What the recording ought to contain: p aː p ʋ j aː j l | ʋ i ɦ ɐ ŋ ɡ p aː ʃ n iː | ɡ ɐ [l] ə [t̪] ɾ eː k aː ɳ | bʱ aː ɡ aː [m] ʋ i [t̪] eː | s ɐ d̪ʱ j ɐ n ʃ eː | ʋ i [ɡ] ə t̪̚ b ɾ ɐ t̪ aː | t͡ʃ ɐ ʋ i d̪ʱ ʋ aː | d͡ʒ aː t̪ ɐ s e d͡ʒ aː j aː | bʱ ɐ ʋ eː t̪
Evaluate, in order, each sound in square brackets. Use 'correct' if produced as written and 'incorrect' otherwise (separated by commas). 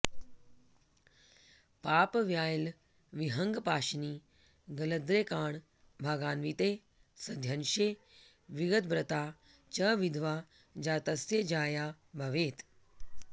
correct, incorrect, incorrect, correct, correct